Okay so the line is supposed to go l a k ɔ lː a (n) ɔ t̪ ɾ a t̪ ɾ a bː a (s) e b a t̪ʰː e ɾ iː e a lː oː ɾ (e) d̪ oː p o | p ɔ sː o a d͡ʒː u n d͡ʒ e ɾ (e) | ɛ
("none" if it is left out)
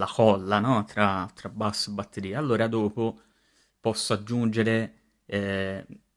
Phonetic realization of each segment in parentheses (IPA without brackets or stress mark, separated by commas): n, sː, a, e